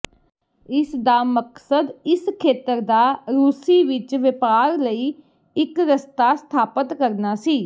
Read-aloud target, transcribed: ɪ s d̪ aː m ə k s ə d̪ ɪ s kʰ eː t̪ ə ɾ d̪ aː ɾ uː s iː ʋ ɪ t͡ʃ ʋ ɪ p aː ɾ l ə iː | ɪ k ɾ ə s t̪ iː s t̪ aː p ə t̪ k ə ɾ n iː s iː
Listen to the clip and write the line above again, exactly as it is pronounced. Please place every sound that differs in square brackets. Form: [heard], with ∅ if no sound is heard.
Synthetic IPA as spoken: ɪ s d̪ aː m ə k s ə d̪ ɪ s kʰ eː t̪ ə ɾ d̪ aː ɾ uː s iː ʋ ɪ t͡ʃ ʋ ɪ p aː ɾ l ə iː | ɪ k ɾ ə s t̪ [aː] s [t̪ʰ] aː p ə t̪ k ə ɾ n [aː] s iː